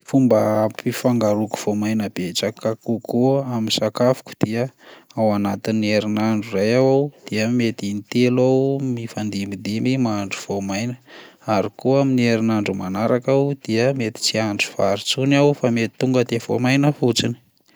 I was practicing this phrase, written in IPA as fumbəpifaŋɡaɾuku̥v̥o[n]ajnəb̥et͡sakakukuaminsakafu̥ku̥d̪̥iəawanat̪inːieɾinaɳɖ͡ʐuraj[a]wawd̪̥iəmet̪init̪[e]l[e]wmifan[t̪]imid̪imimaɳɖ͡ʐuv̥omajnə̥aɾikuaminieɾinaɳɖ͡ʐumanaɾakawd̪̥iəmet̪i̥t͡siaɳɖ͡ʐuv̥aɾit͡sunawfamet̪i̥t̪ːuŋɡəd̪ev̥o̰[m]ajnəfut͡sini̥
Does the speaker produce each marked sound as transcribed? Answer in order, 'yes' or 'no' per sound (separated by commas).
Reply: no, yes, yes, no, no, yes